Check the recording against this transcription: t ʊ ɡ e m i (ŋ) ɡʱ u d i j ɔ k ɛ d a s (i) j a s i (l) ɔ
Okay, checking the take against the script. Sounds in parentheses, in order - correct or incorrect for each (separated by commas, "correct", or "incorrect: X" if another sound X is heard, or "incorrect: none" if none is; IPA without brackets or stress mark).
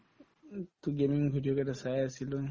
correct, incorrect: a, correct